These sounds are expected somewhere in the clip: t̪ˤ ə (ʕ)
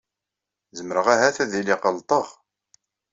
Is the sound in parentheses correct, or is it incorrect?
incorrect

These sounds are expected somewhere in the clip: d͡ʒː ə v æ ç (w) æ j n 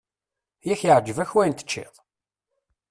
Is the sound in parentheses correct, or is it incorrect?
correct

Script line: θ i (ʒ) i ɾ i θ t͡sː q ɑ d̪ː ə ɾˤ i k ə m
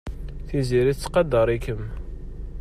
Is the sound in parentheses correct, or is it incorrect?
incorrect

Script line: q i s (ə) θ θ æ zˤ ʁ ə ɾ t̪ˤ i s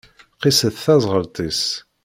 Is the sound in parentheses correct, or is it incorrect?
correct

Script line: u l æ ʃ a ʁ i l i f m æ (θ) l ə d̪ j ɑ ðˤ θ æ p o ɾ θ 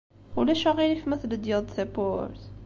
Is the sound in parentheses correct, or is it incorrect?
correct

